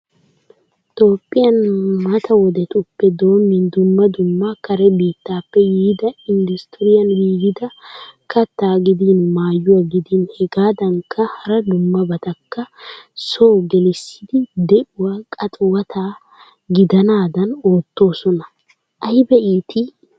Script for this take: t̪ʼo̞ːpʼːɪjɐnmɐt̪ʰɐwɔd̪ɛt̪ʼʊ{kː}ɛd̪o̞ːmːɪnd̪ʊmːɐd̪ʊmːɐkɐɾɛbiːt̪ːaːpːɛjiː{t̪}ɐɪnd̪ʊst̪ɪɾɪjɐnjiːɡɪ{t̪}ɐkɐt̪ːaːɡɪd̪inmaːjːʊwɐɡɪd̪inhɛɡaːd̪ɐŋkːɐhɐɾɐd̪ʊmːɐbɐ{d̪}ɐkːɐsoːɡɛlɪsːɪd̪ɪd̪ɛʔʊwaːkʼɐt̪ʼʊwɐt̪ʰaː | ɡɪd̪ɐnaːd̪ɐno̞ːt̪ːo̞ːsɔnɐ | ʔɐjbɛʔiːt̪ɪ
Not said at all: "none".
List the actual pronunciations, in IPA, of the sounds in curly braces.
pː, d̪, d̪, t̪

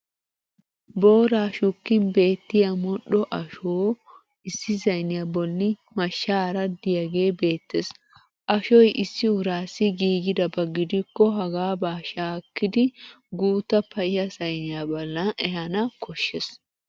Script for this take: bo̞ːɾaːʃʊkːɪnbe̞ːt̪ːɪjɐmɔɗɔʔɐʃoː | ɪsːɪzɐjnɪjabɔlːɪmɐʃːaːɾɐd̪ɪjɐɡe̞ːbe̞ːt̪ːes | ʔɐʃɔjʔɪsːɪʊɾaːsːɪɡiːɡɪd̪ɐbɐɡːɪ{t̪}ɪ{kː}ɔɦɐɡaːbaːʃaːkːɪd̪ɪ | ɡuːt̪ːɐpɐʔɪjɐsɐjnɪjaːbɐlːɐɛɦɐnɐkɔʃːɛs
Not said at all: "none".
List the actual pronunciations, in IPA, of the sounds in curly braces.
d̪, kː

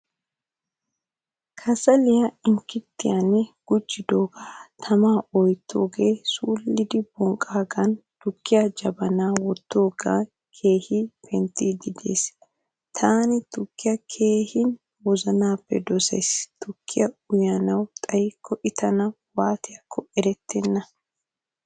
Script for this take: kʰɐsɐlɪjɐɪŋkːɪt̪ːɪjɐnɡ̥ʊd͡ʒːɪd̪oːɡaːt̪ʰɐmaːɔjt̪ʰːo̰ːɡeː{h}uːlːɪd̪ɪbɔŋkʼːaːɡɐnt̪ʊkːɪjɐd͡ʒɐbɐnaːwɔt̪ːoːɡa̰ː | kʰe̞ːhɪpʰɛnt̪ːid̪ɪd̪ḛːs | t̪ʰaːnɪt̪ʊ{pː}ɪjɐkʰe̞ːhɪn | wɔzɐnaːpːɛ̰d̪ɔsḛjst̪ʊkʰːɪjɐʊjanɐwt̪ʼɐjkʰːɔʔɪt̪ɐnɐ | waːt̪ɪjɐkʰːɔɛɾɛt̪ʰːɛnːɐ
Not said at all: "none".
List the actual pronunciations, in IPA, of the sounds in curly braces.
s, kː

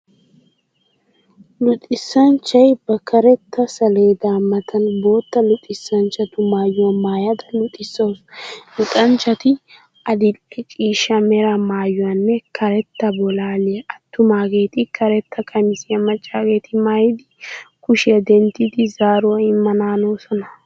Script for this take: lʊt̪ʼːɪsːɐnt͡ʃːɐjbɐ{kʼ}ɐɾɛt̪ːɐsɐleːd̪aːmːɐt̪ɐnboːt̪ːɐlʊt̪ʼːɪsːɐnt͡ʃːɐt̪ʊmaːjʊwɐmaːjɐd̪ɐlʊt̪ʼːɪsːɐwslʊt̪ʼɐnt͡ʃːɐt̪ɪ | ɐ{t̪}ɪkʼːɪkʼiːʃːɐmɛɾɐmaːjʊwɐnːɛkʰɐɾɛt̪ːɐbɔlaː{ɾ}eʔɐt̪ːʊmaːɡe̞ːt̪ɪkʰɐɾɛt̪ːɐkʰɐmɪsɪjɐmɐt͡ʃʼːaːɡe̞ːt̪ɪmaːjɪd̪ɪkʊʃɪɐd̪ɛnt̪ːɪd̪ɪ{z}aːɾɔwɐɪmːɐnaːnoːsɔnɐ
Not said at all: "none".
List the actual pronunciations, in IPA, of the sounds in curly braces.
k, d̪, l, z

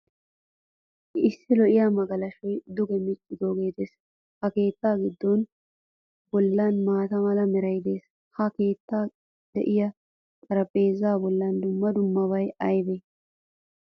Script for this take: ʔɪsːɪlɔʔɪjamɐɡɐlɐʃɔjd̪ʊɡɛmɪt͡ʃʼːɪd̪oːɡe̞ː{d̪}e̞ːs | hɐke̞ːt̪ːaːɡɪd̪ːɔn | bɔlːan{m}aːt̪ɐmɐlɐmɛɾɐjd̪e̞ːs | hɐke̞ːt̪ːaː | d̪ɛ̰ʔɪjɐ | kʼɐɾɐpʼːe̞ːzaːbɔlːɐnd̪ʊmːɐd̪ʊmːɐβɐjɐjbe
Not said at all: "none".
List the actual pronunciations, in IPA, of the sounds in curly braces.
t̪, m

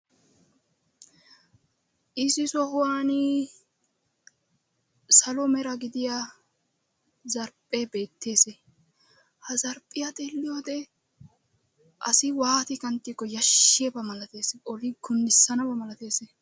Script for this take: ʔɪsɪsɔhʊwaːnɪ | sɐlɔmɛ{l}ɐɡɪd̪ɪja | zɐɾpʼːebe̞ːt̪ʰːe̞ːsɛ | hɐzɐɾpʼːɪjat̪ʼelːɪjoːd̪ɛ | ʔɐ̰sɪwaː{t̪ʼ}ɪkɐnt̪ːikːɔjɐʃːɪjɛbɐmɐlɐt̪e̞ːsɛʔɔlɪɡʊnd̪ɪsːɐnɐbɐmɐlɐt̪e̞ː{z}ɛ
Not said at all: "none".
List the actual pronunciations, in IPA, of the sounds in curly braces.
ɾ, t̪, s

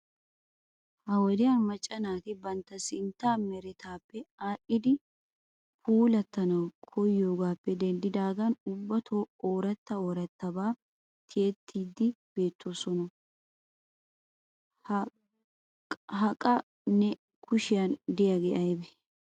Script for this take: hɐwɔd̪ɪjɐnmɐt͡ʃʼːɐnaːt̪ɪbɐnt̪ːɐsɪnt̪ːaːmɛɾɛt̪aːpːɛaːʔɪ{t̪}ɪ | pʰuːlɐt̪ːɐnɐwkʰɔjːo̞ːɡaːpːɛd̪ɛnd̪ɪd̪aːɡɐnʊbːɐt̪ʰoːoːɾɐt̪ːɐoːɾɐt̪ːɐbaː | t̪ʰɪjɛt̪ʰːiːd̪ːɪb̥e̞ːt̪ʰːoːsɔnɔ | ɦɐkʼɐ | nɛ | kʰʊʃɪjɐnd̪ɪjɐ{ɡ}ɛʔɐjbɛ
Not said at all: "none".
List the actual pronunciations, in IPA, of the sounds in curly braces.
d̪, ɡ

